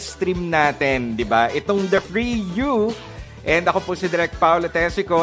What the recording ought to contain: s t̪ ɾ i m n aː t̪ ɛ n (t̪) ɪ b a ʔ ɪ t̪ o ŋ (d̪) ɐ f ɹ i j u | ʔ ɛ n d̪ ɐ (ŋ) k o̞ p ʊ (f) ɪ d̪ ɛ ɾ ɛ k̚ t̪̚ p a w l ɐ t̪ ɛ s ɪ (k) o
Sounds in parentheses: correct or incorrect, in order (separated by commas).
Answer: incorrect, correct, incorrect, incorrect, correct